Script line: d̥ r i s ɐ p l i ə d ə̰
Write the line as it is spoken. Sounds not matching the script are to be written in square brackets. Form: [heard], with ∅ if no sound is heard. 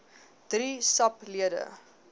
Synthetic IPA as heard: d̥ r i s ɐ p l i ə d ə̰